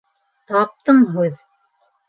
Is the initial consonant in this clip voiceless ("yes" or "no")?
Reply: yes